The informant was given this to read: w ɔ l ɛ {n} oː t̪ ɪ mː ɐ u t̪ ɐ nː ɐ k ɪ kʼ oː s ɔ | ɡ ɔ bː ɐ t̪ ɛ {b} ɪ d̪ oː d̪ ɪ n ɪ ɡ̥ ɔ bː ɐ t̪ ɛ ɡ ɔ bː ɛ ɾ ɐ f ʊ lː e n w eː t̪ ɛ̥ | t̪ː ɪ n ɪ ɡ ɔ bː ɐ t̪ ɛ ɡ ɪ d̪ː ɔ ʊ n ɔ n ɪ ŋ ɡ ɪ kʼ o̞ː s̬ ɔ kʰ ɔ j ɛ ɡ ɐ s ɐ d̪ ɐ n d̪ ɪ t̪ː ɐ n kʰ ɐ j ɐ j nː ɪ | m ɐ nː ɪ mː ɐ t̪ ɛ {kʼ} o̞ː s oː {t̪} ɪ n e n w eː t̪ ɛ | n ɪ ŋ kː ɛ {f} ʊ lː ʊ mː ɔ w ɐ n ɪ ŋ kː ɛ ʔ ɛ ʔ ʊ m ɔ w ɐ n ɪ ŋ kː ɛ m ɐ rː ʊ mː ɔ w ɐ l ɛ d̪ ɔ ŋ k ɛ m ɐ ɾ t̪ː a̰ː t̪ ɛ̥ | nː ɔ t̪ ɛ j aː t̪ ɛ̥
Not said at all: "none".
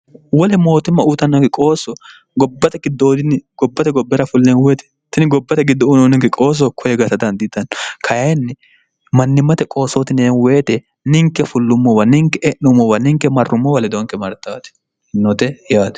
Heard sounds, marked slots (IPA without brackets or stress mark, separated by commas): m, ɡ, kʼ, t̪, f